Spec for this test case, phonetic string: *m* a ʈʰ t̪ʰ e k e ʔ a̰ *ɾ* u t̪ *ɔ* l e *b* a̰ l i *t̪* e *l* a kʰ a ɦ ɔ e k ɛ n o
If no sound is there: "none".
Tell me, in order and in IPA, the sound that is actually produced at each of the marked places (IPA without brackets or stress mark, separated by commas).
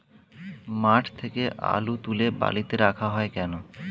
m, l, u, b, t̪, ɾ